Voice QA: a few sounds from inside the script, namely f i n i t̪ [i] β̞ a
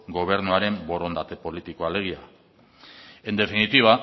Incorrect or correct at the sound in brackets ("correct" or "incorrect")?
correct